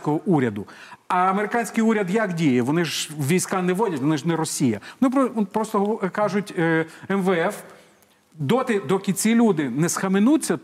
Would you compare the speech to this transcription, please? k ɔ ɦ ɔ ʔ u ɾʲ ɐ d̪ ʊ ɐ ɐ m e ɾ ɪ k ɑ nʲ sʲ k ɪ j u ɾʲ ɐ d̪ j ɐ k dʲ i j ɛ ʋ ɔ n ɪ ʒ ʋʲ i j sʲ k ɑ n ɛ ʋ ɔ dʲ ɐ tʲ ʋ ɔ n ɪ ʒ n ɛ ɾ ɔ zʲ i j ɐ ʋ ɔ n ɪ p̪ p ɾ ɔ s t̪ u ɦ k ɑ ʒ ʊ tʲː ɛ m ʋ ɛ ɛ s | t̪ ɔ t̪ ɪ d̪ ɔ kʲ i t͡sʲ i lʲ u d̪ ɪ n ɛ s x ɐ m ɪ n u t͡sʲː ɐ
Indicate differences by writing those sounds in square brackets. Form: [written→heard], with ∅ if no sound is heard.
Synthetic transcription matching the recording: k ɔ ɦ ɔ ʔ u ɾʲ ɐ d̪ ʊ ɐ ɐ m e ɾ ɪ k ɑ nʲ sʲ k ɪ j u ɾʲ ɐ d̪ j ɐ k dʲ i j ɛ ʋ ɔ n ɪ ʒ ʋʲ i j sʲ k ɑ n ɛ ʋ ɔ dʲ ɐ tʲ ʋ ɔ n ɪ ʒ n ɛ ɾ ɔ [zʲ→sʲ] i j ɐ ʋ ɔ n ɪ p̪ p ɾ ɔ s t̪ [u→ɔ] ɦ k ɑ ʒ ʊ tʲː ɛ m ʋ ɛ ɛ [s→f] | [t̪→d̪] ɔ t̪ ɪ d̪ ɔ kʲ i t͡sʲ i lʲ u d̪ ɪ n ɛ s x ɐ m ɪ n u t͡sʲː ɐ